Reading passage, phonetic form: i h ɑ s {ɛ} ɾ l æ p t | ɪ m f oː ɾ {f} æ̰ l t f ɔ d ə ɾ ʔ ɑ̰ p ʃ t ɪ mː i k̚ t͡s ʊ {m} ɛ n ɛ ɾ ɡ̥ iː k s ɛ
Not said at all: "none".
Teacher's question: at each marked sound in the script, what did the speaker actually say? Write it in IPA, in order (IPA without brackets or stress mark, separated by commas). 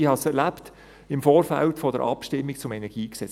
ɛ, f, m